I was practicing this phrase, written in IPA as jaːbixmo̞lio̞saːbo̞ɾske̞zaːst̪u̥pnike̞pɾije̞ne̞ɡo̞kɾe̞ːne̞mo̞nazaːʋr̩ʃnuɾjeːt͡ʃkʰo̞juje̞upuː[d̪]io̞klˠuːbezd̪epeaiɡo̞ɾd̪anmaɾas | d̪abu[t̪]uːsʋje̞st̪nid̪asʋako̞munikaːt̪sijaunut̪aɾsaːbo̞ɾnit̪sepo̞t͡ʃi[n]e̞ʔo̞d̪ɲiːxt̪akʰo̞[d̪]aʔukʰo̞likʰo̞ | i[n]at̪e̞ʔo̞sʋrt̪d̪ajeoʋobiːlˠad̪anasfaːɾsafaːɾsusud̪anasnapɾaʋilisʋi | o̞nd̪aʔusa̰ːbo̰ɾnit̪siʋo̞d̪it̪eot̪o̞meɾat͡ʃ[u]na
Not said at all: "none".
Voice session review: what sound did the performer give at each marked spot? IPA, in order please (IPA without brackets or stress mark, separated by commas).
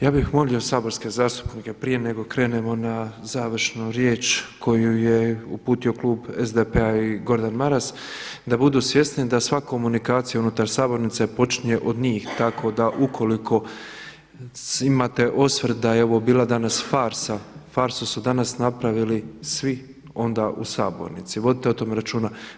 t̪, d̪, ɲ, d̪, m, uː